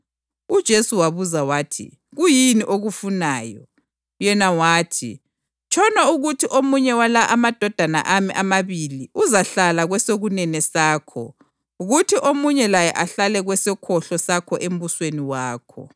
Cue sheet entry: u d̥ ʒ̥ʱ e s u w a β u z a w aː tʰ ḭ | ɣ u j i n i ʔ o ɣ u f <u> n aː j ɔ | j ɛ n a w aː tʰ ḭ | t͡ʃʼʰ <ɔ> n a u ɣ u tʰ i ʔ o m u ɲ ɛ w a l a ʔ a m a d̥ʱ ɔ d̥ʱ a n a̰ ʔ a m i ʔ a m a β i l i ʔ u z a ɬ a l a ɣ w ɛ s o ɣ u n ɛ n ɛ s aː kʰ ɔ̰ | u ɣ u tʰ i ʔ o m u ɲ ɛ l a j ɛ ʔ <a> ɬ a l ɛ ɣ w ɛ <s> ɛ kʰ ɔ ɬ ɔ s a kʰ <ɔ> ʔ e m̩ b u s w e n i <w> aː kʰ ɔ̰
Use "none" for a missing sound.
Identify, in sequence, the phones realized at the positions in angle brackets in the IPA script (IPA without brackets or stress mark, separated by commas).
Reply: u, ɔ, a, s, ɔ, w